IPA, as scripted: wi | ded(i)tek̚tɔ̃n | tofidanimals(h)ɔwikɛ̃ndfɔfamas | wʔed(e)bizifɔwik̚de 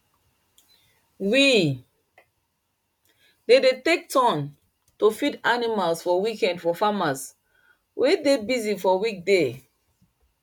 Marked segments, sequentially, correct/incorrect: incorrect, incorrect, correct

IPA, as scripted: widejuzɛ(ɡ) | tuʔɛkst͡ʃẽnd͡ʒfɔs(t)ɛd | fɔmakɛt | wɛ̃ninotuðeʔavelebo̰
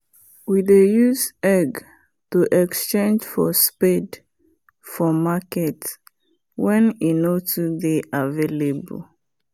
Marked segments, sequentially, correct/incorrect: correct, incorrect

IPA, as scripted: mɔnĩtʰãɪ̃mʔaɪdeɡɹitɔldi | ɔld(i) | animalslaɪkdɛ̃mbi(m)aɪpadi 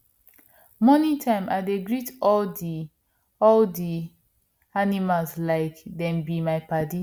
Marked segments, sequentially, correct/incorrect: correct, correct

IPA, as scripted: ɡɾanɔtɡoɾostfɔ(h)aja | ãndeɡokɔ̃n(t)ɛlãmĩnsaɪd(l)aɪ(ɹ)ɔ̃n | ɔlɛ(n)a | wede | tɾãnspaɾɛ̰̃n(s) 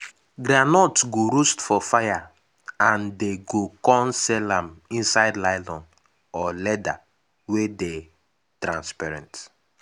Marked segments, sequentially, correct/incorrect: incorrect, incorrect, correct, incorrect, incorrect, incorrect

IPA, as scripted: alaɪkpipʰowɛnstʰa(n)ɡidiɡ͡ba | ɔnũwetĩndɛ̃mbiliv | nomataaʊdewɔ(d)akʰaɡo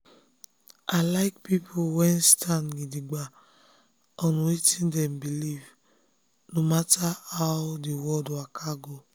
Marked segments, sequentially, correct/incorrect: correct, correct

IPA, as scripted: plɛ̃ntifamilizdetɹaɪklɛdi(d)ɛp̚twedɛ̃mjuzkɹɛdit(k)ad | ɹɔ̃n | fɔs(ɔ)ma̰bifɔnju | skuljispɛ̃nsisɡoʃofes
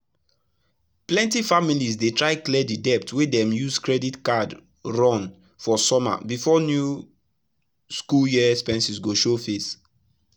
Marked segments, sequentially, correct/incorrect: correct, correct, correct

